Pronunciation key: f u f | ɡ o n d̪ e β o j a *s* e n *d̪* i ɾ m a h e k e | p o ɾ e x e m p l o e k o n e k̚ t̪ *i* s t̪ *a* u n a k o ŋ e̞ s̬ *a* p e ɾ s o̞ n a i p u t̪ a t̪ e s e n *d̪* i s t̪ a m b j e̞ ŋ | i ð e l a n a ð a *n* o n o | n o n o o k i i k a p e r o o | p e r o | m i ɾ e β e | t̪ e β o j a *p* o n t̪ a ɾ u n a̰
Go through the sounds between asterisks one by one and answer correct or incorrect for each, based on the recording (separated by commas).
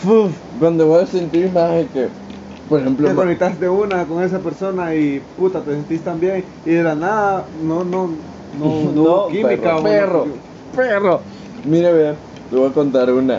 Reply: correct, incorrect, incorrect, incorrect, correct, incorrect, correct, incorrect